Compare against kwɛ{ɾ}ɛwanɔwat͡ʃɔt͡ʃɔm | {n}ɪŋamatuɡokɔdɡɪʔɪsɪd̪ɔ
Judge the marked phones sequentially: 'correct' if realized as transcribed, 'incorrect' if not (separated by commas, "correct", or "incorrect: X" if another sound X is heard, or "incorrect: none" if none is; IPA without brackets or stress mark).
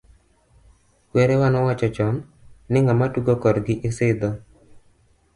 correct, correct